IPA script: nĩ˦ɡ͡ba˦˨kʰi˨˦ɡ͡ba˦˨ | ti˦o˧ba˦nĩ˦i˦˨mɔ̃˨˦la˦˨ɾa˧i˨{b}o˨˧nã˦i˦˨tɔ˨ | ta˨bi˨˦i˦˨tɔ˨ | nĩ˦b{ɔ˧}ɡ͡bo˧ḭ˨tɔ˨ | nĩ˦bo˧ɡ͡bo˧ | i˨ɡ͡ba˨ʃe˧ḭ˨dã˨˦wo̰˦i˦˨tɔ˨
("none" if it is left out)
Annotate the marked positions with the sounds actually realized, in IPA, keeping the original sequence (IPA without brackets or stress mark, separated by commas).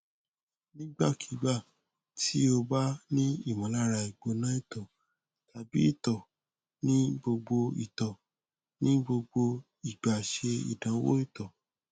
ɡ͡b, o˧